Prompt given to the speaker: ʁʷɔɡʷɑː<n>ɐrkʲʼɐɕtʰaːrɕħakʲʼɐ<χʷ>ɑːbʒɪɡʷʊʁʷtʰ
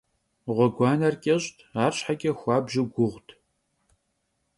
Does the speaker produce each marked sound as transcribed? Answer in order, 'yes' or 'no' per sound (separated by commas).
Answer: yes, no